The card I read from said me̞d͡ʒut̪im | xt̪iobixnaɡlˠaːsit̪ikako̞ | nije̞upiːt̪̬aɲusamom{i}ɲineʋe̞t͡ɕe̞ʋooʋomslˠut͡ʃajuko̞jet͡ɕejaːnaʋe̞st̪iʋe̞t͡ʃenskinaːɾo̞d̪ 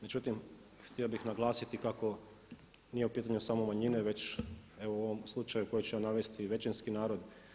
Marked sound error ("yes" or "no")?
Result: yes